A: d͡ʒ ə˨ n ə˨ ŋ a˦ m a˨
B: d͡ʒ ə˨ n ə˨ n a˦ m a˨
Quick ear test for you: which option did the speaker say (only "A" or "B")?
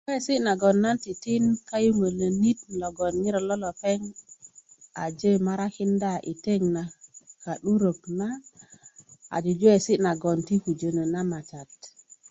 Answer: B